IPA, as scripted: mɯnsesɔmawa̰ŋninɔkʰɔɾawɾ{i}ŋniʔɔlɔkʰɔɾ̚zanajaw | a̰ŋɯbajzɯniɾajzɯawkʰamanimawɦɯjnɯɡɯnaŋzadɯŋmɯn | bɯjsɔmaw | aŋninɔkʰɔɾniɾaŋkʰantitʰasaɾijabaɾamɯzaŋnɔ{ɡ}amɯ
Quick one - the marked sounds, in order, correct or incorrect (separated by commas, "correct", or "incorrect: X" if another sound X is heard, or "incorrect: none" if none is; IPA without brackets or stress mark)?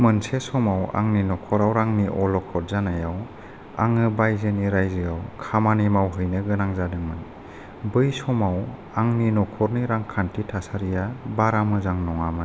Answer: incorrect: a, incorrect: ŋ